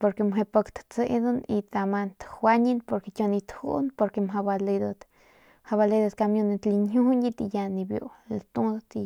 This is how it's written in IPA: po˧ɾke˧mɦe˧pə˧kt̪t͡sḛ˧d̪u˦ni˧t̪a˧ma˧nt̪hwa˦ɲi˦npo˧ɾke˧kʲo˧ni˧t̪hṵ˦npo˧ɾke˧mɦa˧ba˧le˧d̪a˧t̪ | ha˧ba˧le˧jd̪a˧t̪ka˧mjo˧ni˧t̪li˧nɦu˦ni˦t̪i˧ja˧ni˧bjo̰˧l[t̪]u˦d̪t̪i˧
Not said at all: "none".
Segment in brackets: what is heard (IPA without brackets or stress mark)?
t̪